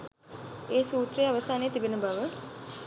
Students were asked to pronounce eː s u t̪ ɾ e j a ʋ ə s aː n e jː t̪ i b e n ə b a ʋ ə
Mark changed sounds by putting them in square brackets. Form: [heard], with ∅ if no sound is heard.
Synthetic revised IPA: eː s [uː] t̪ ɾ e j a ʋ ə s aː n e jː t̪ i b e n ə b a ʋ ə